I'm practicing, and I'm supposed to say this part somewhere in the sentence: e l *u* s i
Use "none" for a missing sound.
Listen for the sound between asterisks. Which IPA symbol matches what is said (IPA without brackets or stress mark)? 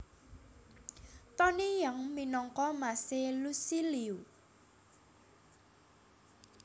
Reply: u